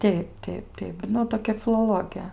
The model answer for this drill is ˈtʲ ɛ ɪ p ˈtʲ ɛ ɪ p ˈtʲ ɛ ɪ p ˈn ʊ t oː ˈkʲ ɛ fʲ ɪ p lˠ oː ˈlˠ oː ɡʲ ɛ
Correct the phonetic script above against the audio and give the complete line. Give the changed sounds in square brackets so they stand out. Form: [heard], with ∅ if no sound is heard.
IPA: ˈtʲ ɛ ɪ p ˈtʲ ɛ ɪ p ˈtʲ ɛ ɪ p ˈn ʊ t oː ˈkʲ ɛ fʲ ɪ [∅] lˠ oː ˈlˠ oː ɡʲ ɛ